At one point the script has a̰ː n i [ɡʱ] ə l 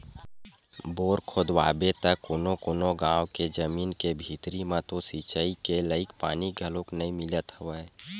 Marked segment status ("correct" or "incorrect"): correct